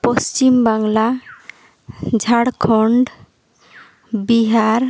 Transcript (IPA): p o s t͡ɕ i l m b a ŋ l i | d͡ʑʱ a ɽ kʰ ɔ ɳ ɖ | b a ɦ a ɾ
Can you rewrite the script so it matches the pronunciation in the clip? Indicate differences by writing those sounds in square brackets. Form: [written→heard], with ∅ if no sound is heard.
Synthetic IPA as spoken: p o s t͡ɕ i [l→∅] m b a ŋ l [i→a] | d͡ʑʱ a ɽ kʰ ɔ ɳ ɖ | b [a→i] ɦ a ɾ